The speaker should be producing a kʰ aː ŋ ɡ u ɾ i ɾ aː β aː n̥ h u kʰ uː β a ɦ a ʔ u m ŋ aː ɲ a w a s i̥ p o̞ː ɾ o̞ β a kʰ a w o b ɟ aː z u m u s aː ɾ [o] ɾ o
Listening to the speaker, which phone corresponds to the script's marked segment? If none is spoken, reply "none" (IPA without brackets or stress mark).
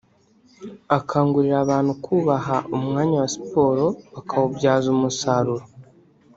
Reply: u